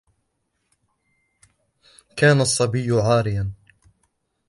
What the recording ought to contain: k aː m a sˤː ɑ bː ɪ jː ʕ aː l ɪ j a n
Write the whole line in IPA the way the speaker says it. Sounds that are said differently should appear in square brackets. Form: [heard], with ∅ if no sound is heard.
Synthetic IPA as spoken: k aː [n] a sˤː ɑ [b] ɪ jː ʕ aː [ɾ] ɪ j a n